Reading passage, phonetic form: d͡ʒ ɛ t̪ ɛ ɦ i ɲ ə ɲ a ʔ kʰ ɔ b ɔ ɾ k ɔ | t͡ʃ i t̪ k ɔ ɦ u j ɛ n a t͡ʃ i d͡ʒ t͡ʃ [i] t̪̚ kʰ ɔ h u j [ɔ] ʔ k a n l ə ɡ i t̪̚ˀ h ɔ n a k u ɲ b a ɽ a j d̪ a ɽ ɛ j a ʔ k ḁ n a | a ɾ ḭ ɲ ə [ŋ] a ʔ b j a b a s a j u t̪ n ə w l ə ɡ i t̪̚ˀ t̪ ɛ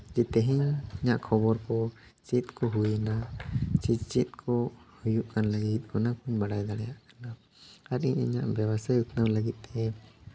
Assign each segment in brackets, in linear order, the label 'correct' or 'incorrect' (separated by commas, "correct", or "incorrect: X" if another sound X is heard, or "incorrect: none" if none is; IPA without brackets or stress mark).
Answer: correct, incorrect: u, incorrect: ɲ